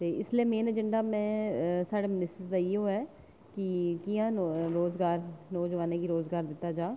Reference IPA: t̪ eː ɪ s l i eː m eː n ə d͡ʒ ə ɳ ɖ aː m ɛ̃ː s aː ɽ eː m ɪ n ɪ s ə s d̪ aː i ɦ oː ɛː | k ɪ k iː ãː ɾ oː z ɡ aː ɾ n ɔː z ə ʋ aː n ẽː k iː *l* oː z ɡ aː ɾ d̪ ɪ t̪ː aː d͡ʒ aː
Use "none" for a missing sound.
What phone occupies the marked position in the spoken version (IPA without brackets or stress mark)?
ɾ